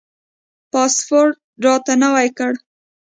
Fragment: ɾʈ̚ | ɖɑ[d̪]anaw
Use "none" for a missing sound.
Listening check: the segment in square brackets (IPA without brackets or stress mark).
t̪